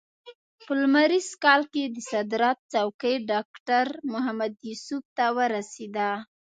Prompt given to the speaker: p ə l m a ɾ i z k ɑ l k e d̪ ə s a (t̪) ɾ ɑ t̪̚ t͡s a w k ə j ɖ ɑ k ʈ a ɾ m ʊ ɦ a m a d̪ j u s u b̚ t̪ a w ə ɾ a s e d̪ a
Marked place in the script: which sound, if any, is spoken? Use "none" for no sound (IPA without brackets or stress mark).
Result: d̪